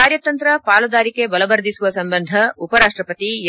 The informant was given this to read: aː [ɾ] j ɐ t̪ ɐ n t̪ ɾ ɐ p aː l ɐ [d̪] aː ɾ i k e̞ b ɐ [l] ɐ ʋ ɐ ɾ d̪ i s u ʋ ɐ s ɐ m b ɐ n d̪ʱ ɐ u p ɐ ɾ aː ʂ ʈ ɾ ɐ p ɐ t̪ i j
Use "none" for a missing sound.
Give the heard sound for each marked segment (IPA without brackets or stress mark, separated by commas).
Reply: ɾ, d̪, l